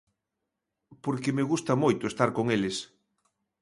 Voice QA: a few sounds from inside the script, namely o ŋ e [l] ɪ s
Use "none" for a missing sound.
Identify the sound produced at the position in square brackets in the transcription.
l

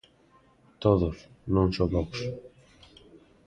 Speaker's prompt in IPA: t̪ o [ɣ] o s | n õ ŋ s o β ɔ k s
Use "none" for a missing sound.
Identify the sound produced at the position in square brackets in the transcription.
ð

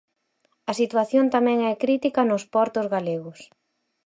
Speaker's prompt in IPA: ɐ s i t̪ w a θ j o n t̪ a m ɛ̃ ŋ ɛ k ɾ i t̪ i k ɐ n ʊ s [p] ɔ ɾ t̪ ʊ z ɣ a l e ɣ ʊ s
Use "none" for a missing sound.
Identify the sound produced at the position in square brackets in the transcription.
p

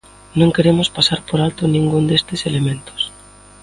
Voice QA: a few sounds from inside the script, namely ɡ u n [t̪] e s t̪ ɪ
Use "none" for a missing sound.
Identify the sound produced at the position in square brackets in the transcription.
d̪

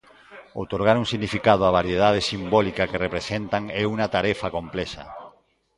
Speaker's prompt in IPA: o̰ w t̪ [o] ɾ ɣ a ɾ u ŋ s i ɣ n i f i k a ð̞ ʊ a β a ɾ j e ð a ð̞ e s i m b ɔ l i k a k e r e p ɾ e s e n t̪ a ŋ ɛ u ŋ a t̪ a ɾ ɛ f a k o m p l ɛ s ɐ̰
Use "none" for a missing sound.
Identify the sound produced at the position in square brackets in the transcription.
o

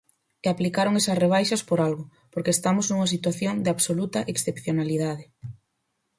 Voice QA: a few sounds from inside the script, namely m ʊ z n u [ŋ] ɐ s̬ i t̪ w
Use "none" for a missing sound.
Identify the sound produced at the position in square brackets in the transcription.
ŋ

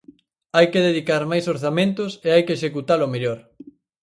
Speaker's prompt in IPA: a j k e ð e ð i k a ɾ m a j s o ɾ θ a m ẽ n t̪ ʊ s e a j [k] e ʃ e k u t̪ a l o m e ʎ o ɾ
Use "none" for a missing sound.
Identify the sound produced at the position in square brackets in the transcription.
k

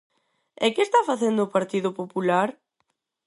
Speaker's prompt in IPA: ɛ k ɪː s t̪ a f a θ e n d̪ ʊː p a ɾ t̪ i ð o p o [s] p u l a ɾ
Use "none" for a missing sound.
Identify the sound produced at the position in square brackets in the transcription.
none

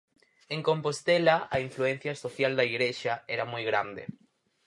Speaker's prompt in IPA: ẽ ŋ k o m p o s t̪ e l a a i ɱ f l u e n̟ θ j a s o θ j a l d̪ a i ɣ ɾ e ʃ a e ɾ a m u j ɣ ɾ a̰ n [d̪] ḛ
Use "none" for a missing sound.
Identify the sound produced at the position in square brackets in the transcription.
d̪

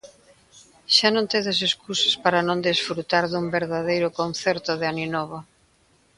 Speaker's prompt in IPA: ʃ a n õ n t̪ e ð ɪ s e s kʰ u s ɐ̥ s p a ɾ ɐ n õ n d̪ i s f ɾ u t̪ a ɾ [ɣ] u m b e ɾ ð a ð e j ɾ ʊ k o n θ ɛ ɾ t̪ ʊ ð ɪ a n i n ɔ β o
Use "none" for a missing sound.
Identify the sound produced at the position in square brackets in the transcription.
ð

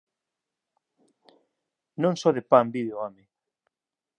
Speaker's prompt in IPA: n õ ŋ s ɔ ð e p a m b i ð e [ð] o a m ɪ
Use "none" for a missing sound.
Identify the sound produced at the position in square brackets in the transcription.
none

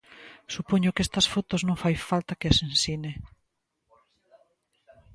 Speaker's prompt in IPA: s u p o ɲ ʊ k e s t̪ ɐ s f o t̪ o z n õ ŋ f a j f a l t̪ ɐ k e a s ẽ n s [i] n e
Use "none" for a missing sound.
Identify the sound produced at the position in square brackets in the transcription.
i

